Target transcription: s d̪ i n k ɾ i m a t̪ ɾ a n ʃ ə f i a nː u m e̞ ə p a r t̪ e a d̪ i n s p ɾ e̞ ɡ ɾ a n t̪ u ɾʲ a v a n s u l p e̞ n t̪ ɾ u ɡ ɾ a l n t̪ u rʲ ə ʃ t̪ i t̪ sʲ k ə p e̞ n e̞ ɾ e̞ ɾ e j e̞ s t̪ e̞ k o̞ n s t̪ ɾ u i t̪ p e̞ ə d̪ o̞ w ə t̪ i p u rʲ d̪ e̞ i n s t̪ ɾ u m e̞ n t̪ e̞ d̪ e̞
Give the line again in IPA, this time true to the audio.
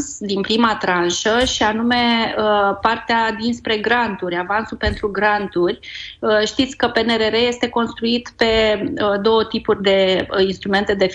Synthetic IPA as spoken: s d̪ i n p ɾ i m a t̪ ɾ a n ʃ ə ʃ i a n u m e̞ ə p a r t̪ e a d̪ i n s p ɾ e̞ ɡ ɾ a n t̪ u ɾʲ a v a n s u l p e̞ n t̪ ɾ u ɡ ɾ a n t̪ u rʲ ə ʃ t̪ i t̪ sʲ k ə p e̞ n e̞ ɾ e̞ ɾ e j e̞ s t̪ e̞ k o̞ n s t̪ ɾ u i t̪ p e̞ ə d̪ o̞ w ə t̪ i p u rʲ d̪ e̞ i n s t̪ ɾ u m e̞ n t̪ e̞ d̪ e̞